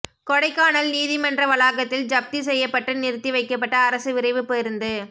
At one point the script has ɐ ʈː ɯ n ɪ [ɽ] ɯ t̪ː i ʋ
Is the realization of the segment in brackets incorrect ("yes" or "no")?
yes